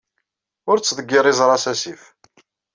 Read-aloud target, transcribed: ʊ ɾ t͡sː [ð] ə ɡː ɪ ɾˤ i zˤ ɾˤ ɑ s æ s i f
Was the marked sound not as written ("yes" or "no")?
no